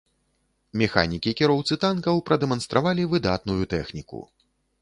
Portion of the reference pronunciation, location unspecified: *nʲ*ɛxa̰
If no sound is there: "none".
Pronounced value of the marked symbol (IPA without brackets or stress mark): mʲ